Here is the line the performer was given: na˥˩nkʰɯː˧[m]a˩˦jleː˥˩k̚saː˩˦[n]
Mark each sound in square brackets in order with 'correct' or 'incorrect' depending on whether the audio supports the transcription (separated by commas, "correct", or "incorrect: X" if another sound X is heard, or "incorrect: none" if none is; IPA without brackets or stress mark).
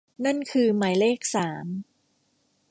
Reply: correct, incorrect: m